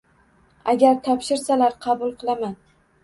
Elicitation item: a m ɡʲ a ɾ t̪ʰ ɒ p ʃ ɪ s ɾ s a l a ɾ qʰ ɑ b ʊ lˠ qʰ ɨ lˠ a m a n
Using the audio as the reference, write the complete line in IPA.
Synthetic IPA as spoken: a ɡʲ a ɾ t̪ʰ ɒ p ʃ ɪ ɾ s a l a ɾ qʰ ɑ b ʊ lˠ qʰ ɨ lˠ a m a n